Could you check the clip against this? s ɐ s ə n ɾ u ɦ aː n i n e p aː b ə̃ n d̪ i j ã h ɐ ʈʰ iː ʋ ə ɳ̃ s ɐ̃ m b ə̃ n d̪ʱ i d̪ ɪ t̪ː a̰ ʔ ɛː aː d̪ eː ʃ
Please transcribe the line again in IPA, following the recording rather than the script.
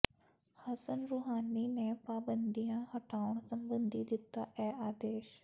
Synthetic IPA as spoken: h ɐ s ə n ɾ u ɦ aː n i n e p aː b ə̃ n d̪ i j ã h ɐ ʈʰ aː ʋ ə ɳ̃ s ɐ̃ m b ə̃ n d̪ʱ i d̪ ɪ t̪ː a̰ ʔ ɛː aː d̪ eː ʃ